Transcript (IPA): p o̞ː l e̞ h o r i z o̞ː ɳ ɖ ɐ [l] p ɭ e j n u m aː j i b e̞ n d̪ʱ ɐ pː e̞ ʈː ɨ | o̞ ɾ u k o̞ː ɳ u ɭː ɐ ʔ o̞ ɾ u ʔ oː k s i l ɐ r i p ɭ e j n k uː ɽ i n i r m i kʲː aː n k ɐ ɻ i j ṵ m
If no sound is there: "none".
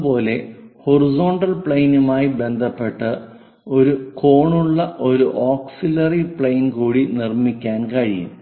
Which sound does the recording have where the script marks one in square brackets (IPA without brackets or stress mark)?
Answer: l